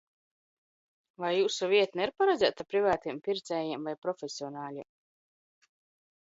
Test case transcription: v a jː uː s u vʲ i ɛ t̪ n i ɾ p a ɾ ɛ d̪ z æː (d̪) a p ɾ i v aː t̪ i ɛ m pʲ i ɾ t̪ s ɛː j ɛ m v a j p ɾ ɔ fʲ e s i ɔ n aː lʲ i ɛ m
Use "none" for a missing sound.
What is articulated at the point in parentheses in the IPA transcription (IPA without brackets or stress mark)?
t̪